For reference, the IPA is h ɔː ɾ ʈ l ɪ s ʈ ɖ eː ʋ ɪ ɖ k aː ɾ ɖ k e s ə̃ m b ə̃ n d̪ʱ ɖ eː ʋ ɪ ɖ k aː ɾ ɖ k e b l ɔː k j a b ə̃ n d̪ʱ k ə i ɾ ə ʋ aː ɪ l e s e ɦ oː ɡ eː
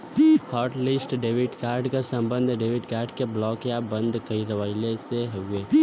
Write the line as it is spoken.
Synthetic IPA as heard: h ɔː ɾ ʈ l ɪ s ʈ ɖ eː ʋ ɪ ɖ k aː ɾ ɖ k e s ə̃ m b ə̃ n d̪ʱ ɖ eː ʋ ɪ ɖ k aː ɾ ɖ k e b l ɔː k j a b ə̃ n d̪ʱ k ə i ɾ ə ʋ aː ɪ l e s e ɦ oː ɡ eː

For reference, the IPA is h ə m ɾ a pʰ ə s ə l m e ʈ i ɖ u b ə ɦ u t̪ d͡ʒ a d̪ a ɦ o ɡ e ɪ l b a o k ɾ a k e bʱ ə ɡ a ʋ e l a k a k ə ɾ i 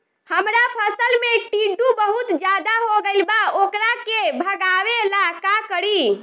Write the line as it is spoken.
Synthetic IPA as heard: h ə m ɾ a pʰ ə s ə l m e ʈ i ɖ u b ə ɦ u t̪ d͡ʒ a d̪ a ɦ o ɡ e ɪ l b a o k ɾ a k e bʱ ə ɡ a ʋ e l a k a k ə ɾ i

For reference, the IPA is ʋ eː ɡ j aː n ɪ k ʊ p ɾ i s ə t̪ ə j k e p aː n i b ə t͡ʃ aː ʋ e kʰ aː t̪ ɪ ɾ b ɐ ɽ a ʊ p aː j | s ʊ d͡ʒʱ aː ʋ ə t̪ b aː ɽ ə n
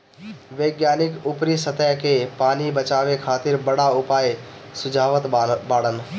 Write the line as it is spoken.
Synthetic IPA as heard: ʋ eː ɡ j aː n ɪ k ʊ p ɾ i s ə t̪ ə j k e p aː n i b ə t͡ʃ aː ʋ e kʰ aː t̪ ɪ ɾ b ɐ ɽ a ʊ p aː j | s ʊ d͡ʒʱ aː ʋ ə t̪ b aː ɽ ə n

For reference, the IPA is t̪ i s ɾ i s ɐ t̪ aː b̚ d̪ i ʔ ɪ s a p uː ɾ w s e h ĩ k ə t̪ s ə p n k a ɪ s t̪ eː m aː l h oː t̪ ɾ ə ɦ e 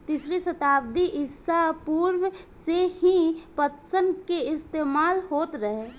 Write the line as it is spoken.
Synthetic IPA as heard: t̪ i s ɾ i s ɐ t̪ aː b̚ d̪ i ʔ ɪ s a p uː ɾ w s e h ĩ p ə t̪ s ə n k e ɪ s t̪ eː m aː l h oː t̪ ɾ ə ɦ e

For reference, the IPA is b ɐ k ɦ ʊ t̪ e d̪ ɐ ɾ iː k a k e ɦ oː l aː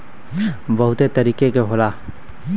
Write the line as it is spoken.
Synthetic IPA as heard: b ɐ ɦ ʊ t̪ e t̪ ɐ ɾ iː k e k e ɦ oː l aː

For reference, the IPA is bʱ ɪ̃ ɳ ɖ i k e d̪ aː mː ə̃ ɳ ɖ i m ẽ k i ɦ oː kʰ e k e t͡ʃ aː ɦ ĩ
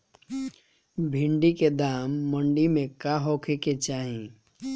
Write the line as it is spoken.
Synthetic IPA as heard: bʱ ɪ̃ ɳ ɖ i k e d̪ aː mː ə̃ ɳ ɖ i m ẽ k a ɦ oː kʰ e k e t͡ʃ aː ɦ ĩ

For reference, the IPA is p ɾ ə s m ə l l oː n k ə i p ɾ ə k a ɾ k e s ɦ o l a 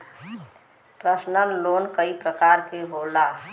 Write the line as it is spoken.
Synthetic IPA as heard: p ɾ ə s n ə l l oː n k ə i p ɾ ə k a ɾ k e ɦ o l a

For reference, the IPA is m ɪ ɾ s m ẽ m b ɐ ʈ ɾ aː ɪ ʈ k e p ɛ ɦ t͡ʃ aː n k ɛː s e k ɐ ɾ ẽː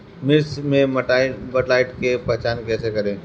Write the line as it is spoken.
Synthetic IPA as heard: m ɪ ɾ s m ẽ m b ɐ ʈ l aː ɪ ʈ k e p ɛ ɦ t͡ʃ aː n k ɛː s e k ɐ ɾ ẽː

